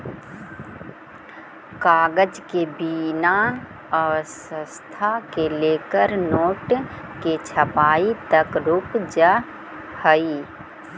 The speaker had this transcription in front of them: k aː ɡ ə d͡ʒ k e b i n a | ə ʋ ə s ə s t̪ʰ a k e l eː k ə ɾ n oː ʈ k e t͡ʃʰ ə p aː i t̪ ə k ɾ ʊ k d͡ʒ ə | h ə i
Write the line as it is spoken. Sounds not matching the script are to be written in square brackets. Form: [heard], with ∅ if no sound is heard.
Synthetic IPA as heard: k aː ɡ ə d͡ʒ k e b i n a | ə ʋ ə s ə s t̪ʰ a k e l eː k ə ɾ n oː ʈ k e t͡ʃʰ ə p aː i t̪ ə k ɾ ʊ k d͡ʒ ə | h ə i